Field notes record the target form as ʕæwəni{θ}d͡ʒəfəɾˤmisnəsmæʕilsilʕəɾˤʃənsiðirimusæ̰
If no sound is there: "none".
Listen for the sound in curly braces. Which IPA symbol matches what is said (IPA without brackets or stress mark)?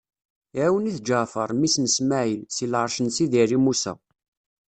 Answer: θ